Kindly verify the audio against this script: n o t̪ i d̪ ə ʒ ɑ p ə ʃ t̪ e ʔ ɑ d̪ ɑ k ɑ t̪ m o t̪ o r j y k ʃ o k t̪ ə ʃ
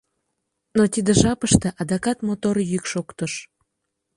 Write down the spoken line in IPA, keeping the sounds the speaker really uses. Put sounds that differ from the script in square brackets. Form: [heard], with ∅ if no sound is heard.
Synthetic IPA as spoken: n o t̪ i d̪ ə ʒ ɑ p ə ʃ t̪ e ʔ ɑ d̪ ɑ k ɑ t̪ m o t̪ o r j y k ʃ o k t̪ ə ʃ